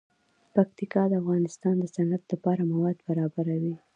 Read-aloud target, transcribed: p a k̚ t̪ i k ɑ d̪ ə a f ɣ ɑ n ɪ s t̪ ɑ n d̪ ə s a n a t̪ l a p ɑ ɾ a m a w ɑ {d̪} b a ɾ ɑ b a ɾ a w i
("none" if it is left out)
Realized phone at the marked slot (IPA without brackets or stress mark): d̪